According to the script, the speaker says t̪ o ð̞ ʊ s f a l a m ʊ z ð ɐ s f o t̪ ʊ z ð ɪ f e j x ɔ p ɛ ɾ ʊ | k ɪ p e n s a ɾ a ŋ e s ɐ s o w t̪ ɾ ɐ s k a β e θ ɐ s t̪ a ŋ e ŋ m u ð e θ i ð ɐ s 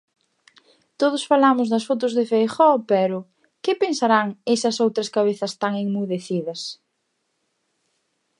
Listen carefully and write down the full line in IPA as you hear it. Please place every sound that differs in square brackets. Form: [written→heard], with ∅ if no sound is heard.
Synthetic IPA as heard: t̪ o ð̞ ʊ s f a l a m ʊ z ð ɐ s f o t̪ ʊ z ð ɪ f e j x ɔ p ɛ ɾ ʊ | k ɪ p e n s a ɾ a ŋ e s ɐ s o w t̪ ɾ ɐ s k a β e θ ɐ s t̪ a ŋ e ŋ m u ð e θ i ð ɐ s